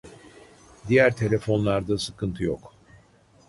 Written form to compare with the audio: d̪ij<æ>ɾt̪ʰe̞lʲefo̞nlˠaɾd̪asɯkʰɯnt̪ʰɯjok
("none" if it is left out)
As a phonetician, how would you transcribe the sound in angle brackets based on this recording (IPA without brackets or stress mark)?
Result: æ